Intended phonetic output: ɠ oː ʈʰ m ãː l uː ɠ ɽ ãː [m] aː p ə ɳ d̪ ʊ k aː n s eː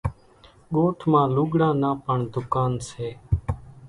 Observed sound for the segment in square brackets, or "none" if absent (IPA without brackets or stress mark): n